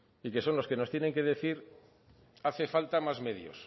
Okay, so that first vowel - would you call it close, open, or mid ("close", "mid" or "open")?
close